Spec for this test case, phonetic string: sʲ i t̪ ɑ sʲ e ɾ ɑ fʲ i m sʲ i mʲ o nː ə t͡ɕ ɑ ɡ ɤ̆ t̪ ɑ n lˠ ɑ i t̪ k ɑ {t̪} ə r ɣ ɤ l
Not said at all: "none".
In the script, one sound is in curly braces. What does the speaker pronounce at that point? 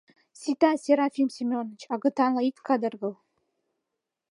d̪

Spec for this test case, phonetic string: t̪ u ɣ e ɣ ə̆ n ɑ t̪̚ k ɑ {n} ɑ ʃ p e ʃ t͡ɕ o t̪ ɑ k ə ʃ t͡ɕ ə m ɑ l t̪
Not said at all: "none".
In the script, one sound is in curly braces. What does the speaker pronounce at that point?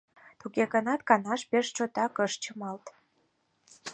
n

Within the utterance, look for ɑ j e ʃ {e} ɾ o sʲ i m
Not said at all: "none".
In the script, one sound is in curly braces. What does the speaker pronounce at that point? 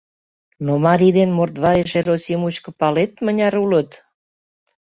e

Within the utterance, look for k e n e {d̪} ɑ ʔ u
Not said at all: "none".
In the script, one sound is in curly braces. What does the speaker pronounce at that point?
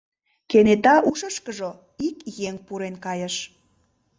t̪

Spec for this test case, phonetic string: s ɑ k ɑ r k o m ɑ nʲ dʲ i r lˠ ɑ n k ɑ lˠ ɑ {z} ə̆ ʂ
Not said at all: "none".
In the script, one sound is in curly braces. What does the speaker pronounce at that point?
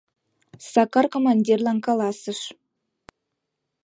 s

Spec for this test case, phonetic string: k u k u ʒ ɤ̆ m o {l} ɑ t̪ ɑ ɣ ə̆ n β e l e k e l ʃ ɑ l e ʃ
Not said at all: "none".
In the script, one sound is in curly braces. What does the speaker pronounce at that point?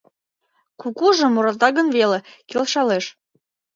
ɾ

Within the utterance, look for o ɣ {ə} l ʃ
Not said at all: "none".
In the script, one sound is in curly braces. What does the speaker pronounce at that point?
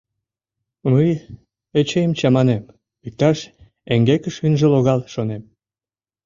ɑ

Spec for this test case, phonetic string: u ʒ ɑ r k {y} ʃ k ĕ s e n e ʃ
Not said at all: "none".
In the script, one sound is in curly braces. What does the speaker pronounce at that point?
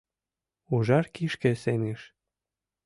i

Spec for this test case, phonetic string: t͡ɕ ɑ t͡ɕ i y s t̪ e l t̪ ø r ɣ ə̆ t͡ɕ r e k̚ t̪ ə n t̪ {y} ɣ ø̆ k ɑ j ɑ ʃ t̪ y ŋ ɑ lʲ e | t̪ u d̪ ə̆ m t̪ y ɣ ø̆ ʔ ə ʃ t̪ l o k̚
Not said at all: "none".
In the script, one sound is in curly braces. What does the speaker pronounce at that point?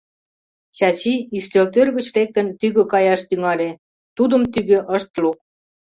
y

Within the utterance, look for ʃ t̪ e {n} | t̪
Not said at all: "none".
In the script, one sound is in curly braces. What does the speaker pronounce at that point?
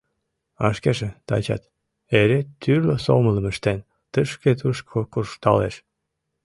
n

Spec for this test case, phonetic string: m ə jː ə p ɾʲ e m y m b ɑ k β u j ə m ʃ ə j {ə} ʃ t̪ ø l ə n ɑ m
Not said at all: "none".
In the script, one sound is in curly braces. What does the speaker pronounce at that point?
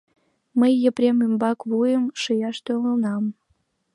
ɑ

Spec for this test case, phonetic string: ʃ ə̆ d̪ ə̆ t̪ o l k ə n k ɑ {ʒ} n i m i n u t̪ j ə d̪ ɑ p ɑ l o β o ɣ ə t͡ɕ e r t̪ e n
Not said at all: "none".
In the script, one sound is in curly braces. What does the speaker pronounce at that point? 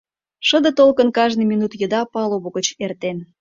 ʒ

